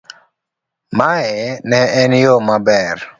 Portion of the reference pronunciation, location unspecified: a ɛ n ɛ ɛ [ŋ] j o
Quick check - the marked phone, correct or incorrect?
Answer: incorrect